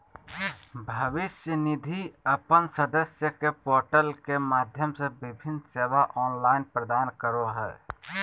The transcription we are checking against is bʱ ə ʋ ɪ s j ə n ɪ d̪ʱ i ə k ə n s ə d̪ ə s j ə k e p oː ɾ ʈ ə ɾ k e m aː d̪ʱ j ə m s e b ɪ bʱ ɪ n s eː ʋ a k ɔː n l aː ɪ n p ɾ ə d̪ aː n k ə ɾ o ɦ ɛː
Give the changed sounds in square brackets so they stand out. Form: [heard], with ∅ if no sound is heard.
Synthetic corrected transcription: bʱ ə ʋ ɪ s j ə n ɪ d̪ʱ i ə [p] ə n s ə d̪ ə s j ə k e p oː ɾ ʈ ə [l] k e m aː d̪ʱ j ə m s e b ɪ bʱ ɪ n s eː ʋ a [ʔ] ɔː n l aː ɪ n p ɾ ə d̪ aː n k ə ɾ o ɦ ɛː